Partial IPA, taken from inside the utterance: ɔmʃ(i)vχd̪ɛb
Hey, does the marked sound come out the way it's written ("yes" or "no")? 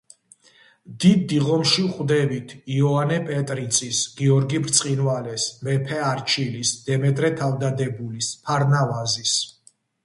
yes